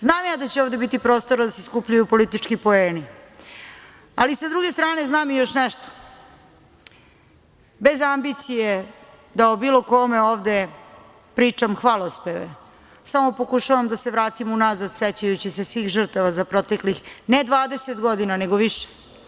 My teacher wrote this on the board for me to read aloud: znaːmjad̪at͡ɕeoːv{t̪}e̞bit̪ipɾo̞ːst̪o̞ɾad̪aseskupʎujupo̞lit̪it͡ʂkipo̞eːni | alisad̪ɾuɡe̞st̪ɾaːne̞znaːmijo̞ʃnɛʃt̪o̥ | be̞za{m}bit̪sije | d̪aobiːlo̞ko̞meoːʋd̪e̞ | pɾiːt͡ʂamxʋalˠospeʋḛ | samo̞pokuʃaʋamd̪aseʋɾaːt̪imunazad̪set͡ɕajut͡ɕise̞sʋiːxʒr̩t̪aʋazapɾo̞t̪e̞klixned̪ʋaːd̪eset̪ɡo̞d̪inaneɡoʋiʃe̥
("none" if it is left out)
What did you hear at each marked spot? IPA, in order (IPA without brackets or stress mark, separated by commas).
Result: d̪, m